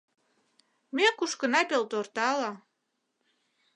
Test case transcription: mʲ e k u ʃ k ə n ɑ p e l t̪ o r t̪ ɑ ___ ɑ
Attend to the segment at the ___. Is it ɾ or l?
l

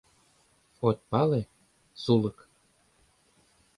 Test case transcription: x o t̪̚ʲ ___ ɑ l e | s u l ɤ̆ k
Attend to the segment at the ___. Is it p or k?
p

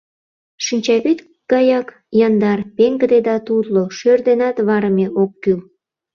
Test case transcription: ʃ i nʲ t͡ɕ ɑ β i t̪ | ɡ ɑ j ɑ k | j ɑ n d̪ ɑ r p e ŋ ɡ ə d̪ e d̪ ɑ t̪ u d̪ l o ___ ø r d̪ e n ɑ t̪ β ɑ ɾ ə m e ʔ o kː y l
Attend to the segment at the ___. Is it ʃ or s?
ʃ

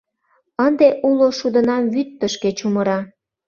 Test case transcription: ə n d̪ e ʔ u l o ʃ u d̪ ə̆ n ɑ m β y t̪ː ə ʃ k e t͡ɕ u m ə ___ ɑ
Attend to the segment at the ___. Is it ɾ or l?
ɾ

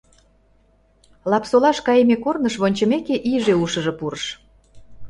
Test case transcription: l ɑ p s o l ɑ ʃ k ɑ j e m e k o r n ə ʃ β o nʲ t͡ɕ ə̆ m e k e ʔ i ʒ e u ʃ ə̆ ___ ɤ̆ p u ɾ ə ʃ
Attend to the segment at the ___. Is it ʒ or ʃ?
ʒ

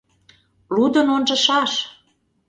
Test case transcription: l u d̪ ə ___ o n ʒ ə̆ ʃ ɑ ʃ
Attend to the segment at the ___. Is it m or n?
n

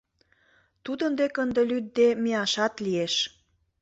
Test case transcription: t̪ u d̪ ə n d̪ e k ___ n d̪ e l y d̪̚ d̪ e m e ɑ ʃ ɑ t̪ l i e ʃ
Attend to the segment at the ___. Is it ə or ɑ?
ə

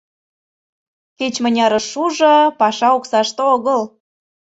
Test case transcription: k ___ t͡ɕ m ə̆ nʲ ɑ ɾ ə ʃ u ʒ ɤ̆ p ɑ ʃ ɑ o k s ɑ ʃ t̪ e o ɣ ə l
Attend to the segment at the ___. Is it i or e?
e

